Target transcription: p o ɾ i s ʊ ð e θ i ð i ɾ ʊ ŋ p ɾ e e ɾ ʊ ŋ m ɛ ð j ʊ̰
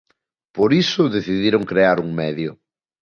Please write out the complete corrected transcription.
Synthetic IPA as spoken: p o ɾ i s ʊ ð e θ i ð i ɾ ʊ ŋ k ɾ e a ɾ u ŋ m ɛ ð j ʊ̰